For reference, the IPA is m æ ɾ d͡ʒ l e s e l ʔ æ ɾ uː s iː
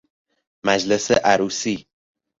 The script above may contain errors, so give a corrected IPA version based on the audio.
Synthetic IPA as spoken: m æ d͡ʒ l e s e ʔ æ ɾ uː s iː